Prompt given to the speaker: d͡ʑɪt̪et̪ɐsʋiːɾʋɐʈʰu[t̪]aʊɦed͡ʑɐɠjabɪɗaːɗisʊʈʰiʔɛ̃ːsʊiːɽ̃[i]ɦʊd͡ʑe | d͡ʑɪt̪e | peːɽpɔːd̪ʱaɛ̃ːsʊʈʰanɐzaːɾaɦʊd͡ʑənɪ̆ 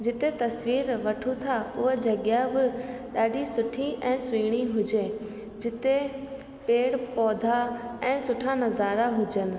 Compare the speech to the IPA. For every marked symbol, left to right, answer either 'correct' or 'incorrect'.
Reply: incorrect: t̪ʰ, correct

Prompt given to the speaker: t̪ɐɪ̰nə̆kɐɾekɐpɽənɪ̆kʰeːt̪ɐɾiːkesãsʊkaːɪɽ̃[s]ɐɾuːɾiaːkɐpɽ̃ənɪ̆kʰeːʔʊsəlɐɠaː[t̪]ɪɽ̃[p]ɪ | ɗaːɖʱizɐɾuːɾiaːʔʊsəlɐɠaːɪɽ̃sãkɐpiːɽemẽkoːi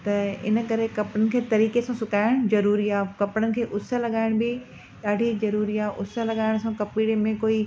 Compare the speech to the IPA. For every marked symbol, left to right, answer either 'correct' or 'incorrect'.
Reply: incorrect: z, incorrect: none, incorrect: b

